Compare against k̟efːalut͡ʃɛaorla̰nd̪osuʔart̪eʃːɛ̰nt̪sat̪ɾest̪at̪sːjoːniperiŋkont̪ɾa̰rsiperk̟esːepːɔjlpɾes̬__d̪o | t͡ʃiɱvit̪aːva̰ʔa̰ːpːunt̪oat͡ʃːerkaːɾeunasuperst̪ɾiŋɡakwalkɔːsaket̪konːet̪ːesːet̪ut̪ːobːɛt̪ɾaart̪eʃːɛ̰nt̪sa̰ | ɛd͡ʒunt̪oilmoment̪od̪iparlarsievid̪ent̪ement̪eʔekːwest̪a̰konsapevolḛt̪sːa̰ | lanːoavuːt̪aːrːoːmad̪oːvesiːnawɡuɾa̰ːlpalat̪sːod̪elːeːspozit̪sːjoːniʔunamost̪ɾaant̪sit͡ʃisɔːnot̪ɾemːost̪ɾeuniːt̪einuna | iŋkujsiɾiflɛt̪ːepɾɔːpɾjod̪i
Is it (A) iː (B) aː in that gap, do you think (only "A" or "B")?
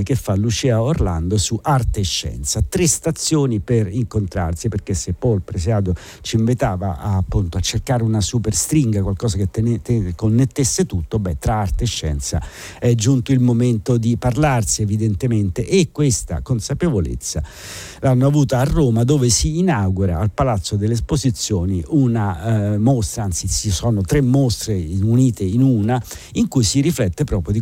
B